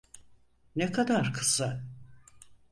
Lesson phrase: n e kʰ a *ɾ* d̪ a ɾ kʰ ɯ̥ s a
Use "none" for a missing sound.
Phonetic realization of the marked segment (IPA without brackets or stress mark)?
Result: none